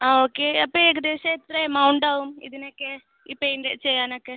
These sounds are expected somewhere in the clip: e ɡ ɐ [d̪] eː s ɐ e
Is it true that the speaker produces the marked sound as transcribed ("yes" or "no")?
yes